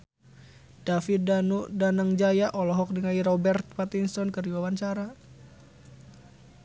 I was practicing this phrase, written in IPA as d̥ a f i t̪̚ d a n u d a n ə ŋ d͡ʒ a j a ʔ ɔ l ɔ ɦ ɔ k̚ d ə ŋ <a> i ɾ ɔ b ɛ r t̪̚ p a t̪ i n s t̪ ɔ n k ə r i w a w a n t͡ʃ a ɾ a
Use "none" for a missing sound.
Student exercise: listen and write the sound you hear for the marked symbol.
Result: a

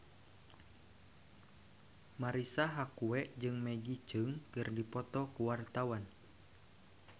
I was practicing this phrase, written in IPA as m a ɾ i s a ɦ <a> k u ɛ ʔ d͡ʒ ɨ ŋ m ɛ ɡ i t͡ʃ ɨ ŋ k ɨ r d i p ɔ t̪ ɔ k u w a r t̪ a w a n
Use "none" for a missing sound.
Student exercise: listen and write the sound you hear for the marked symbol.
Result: a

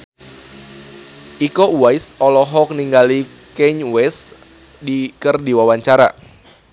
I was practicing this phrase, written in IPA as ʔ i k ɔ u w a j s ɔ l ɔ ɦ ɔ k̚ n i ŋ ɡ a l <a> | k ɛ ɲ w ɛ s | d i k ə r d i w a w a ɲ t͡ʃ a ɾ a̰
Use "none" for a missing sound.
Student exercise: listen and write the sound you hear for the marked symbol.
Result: i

